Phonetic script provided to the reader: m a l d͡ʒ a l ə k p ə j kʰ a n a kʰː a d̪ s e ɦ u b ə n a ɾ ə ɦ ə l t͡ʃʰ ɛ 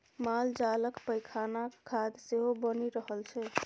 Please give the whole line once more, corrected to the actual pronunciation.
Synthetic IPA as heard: m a l d͡ʒ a l ə k p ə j kʰ a n a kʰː a d̪ s e ɦ o b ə n i ɾ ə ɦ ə l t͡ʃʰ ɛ